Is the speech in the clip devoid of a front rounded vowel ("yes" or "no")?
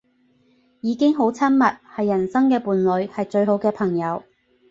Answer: yes